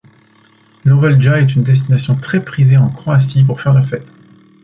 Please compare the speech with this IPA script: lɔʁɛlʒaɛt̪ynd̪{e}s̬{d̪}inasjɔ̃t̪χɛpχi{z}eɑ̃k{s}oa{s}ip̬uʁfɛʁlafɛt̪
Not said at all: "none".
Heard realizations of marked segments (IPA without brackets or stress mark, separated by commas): ɛ, t̪, z, χ, s